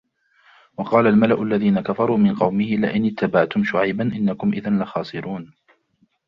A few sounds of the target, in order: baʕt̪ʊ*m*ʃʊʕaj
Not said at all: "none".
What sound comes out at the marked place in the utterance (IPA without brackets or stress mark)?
m